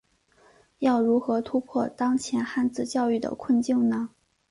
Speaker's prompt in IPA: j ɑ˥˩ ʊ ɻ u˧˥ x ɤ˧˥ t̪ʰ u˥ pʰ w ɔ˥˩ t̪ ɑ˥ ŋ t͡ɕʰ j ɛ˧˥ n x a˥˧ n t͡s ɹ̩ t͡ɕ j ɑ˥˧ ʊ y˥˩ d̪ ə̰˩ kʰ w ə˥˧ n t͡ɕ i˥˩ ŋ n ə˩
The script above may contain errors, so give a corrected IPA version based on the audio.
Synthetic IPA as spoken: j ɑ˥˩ ʊ ɻ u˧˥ x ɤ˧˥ t̪ʰ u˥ pʰ w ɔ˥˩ t̪ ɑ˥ ŋ t͡ɕʰ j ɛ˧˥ n x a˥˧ n t͡s ɹ̩ t͡ɕ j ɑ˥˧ ʊ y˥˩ d̪ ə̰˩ kʰ w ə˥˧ n t͡ɕ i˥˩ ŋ n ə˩